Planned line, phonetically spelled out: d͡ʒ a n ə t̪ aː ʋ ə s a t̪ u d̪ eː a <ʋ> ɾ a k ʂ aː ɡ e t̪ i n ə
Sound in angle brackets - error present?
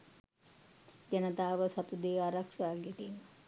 yes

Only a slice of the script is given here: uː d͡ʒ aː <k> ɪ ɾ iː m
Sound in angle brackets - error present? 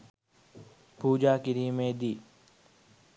no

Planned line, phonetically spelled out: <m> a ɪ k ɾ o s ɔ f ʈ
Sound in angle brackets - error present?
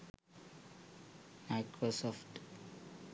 no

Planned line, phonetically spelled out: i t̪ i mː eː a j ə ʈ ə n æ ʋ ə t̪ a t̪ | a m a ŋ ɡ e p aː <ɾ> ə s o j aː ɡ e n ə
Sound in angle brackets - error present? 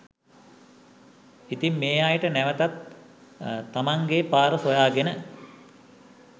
no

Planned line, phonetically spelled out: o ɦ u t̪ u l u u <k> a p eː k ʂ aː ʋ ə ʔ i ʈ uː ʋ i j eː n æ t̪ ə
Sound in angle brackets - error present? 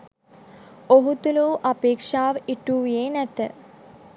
yes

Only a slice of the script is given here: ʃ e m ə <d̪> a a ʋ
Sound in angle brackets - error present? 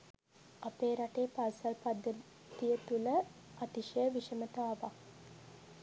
yes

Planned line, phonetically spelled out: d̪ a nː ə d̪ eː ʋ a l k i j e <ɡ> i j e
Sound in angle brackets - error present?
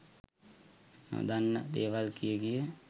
no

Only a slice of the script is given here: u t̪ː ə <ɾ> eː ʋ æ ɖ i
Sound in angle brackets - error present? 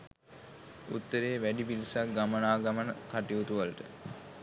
no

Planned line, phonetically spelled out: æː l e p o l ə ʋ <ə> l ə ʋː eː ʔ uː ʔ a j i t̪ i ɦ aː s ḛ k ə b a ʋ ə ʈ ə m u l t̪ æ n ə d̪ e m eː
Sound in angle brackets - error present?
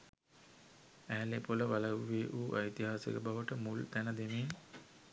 yes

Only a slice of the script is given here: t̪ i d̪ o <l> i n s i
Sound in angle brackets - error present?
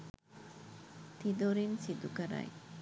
yes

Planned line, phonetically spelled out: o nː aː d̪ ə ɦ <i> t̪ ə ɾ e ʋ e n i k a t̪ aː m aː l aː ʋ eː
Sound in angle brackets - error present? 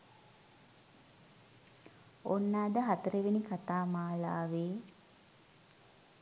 yes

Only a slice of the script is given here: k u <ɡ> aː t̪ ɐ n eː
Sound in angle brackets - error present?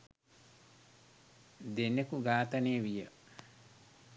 no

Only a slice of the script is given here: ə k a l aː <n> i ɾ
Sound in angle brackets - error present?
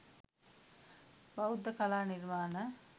no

